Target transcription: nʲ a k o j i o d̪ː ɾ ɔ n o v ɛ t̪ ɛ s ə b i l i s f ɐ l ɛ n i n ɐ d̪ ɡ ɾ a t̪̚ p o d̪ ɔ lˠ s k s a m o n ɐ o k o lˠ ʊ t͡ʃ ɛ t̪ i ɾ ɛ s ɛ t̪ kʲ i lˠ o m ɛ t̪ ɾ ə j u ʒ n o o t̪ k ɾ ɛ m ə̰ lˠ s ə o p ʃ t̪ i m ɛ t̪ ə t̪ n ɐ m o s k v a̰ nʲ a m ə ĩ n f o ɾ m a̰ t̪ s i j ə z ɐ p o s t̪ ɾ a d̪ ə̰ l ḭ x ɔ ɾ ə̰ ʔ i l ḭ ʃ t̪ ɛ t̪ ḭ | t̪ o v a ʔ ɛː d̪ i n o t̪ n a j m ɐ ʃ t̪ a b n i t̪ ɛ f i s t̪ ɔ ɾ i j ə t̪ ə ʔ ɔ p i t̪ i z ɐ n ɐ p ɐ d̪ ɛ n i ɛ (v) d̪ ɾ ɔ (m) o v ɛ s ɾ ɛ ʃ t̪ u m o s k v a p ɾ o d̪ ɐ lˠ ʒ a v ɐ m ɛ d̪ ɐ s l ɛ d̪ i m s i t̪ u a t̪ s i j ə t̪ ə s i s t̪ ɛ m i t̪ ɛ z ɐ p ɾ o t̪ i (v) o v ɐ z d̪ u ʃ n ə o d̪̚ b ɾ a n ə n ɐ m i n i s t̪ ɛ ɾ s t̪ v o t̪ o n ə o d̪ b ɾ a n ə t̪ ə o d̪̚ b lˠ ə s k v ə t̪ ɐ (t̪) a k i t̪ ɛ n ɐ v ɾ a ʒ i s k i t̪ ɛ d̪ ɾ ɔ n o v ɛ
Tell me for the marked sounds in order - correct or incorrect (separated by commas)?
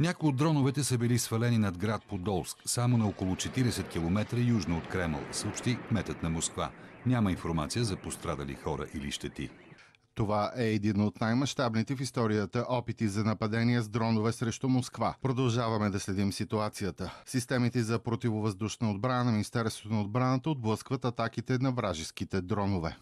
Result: incorrect, incorrect, correct, correct